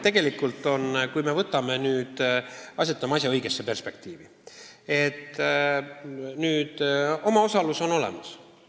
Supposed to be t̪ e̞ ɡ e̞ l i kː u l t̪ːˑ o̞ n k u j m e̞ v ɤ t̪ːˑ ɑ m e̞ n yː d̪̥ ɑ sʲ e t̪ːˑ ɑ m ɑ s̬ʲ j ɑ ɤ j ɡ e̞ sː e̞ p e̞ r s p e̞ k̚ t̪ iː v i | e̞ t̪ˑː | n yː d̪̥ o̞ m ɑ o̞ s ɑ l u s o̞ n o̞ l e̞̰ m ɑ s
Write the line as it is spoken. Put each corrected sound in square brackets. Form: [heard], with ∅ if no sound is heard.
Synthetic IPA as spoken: t̪ e̞ ɡ e̞ l i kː u l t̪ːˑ o̞ n k u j m e̞ v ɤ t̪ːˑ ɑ m e̞ n yː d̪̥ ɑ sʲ e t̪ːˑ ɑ m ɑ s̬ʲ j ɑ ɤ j ɡ e̞ sː e̞ p e̞ r s p e̞ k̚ t̪ iː v i | e̞ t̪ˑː | n yː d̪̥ o̞ m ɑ o̞ s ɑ l u s o̞ n o̞ l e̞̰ m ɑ s